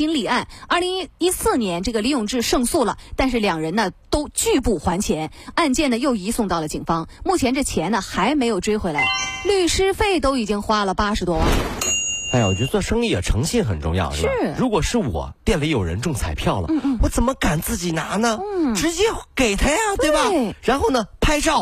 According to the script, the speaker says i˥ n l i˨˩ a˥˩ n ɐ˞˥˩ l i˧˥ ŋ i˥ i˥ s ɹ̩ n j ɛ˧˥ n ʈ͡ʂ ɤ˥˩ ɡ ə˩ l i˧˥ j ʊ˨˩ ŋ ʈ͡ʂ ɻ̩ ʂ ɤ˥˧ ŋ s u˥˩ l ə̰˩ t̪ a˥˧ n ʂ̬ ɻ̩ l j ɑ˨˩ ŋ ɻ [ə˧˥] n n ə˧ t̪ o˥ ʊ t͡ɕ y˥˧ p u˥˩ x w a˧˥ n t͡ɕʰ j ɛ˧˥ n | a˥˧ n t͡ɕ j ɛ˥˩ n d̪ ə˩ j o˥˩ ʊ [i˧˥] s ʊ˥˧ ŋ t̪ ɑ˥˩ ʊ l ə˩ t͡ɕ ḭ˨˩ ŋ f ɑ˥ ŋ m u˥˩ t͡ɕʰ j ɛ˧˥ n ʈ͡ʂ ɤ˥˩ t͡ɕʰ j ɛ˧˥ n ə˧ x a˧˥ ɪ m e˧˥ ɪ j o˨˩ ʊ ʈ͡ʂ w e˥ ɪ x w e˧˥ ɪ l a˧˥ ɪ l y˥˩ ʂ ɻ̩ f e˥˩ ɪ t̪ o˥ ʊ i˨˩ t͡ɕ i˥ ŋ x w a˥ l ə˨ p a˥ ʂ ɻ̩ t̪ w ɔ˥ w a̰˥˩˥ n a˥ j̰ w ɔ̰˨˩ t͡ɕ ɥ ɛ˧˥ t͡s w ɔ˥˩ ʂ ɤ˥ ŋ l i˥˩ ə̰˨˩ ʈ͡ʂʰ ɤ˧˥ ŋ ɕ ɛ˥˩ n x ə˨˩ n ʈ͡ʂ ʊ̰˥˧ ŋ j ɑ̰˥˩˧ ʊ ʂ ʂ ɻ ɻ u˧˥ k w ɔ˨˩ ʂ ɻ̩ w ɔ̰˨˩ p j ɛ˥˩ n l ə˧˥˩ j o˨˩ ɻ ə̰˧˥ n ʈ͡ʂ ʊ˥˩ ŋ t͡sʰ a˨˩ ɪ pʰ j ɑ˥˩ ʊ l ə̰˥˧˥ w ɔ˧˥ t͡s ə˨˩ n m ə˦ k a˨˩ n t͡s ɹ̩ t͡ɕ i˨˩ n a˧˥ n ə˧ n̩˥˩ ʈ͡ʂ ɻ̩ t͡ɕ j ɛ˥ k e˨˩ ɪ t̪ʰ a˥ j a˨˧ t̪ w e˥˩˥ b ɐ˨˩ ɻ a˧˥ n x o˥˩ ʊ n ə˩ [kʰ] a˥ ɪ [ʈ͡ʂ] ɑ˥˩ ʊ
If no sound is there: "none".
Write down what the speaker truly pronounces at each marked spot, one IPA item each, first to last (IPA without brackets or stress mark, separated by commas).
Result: ə˧˥, i˧˥, pʰ, ʈ͡ʂ